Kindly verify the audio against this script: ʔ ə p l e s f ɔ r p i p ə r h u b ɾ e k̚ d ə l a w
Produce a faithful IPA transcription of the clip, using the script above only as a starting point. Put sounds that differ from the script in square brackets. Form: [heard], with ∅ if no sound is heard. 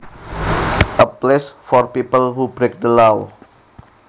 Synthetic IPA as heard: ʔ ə p l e s f ɔ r p i p ə [l] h u b ɾ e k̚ d ə l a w

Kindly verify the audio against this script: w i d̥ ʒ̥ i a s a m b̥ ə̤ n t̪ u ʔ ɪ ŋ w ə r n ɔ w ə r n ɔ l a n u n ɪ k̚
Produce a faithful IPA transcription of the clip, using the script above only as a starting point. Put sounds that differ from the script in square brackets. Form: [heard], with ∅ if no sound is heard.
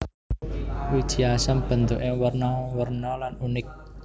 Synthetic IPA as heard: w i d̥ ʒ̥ i a s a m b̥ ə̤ n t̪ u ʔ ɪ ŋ w ə r n ɔ w ə r n ɔ l a n u n ɪ k̚

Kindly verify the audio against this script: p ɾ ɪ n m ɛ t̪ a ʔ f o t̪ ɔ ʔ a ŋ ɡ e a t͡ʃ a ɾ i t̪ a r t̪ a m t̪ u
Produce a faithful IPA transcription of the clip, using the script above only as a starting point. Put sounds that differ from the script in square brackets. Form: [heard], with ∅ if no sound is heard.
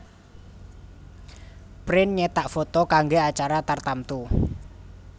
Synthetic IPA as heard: p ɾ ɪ n [ɲ] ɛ t̪ a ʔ f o t̪ ɔ [k] a ŋ ɡ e a t͡ʃ a ɾ [a] t̪ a r t̪ a m t̪ u

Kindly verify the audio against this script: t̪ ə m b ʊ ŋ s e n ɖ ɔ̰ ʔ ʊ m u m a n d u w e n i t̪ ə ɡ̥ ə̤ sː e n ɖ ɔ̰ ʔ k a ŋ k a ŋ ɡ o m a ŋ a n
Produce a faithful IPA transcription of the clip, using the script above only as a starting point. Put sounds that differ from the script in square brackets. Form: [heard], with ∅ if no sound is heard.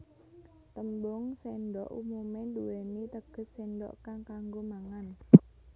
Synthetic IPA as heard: t̪ ə m b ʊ ŋ s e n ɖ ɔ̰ ʔ [u] m u m [e] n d u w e n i t̪ ə ɡ̥ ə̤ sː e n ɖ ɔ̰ ʔ k a ŋ k a ŋ ɡ o m a ŋ a n

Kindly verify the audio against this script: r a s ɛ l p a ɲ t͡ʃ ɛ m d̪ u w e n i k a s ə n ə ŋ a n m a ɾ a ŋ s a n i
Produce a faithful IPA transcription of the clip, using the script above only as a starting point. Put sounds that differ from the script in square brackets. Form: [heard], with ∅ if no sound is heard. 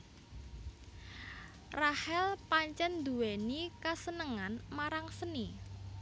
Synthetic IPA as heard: r a [h] ɛ l p a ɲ t͡ʃ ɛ [n] d̪ u w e n i k a s ə n ə ŋ a n m a ɾ a ŋ s [ə] n i

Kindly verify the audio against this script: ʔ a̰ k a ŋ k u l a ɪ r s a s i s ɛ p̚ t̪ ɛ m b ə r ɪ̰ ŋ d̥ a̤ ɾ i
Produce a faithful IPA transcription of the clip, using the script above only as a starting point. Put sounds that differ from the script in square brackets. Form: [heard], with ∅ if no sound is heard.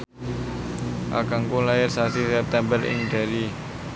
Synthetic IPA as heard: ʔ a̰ k a ŋ k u l a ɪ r s a s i s ɛ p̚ t̪ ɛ m b ə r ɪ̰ ŋ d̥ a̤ ɾ i

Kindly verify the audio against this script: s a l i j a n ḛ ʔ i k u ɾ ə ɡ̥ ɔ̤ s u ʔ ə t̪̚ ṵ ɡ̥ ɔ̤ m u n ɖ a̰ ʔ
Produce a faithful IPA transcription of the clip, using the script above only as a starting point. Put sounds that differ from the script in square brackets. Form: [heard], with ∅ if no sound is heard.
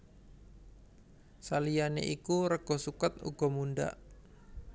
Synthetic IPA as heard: s a l i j a n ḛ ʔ i k u ɾ ə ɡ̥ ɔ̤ s u [k] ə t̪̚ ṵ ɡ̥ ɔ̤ m u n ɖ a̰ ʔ

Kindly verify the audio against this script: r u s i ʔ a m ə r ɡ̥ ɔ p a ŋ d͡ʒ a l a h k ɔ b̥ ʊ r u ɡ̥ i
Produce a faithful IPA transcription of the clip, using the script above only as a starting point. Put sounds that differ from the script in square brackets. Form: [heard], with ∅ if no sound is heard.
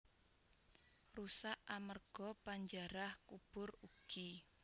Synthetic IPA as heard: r u s [a] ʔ a m ə r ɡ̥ ɔ p a [ɲ] d͡ʒ a [ɾ] a h k [u] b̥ ʊ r u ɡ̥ i

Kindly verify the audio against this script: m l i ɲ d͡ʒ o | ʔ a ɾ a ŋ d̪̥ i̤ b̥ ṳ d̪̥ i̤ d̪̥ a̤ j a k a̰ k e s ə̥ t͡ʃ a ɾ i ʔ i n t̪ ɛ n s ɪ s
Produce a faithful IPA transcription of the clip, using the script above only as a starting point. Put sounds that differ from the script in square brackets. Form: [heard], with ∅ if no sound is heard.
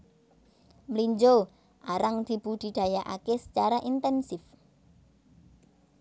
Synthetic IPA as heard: m l i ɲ d͡ʒ o | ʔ a ɾ a ŋ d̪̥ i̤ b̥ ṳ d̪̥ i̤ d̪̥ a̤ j a [ʔ] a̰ k e s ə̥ t͡ʃ a ɾ [a] ʔ i n t̪ ɛ n s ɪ [f]

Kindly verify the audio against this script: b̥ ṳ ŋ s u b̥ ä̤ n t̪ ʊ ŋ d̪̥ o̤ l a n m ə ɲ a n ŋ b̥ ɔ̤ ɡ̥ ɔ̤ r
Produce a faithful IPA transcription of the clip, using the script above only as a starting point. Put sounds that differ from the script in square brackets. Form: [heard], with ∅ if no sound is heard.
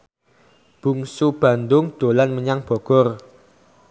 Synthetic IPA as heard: b̥ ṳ ŋ s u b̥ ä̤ n [d̪] ʊ ŋ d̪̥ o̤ l a n m ə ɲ a [∅] ŋ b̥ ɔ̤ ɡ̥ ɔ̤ r

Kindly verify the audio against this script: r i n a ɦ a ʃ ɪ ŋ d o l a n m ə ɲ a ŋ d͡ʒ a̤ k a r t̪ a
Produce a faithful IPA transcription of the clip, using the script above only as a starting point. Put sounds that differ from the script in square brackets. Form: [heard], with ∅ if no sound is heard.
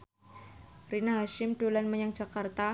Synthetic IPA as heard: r i n a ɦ a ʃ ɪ [m] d o l a n m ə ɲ a ŋ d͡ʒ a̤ k a r t̪ a

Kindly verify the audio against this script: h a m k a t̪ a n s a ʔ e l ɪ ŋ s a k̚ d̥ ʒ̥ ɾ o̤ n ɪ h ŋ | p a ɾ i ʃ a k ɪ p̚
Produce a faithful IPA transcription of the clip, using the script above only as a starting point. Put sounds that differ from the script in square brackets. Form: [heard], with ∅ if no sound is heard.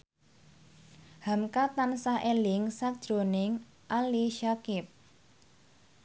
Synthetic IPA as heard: h a m k a t̪ a n s a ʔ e l ɪ ŋ s a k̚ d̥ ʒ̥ ɾ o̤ n ɪ [∅] ŋ | [ʔ] a [l] i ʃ a k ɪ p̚

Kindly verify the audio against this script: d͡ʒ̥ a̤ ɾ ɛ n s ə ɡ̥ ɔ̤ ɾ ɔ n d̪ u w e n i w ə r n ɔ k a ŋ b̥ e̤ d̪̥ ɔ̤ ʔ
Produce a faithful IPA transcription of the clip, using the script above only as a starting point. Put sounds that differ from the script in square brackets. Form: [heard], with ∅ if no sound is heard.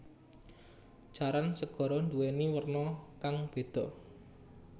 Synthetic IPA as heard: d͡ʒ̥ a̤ ɾ [a] n s ə ɡ̥ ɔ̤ ɾ ɔ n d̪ u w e n i w ə r n ɔ k a ŋ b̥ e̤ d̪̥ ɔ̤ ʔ

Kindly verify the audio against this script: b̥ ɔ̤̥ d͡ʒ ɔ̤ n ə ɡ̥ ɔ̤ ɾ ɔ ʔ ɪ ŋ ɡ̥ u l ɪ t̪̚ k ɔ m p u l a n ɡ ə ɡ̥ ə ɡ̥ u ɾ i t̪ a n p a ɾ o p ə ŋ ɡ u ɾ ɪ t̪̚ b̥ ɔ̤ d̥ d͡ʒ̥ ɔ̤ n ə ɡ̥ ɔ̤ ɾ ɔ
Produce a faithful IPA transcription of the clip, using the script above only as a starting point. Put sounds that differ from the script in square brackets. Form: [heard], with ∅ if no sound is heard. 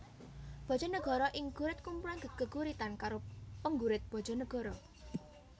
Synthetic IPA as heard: b̥ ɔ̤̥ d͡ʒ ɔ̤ n ə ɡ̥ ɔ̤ ɾ ɔ ʔ ɪ ŋ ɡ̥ u [ɾ] ɪ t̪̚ k [u] m p u l a n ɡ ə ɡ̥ ə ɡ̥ u ɾ i t̪ a n [k] a ɾ o p ə ŋ ɡ u ɾ ɪ t̪̚ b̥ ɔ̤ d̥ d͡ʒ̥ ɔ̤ n ə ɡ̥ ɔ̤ ɾ ɔ

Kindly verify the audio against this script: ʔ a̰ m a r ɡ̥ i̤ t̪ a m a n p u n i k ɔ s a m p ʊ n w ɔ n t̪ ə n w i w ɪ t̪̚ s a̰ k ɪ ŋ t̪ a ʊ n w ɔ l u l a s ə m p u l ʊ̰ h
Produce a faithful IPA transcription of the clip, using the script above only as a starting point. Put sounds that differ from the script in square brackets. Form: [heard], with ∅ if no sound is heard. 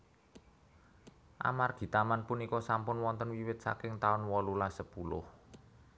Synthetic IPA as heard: ʔ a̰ m a r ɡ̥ i̤ t̪ a m a n p u n i k ɔ s a m p ʊ n w ɔ n t̪ ə n w i w ɪ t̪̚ s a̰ k ɪ ŋ t̪ a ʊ n w ɔ l u l a s ə [∅] p u l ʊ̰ h

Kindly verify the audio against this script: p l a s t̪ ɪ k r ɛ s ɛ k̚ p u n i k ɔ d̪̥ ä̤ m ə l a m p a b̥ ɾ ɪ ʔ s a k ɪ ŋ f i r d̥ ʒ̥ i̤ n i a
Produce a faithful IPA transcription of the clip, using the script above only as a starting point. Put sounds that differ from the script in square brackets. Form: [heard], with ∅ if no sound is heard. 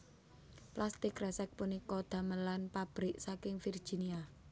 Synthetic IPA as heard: p l a s t̪ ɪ k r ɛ s ɛ k̚ p u n i k ɔ d̪̥ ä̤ m ə l a [n] p a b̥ ɾ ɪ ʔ s a k ɪ ŋ f i r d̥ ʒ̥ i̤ n i a

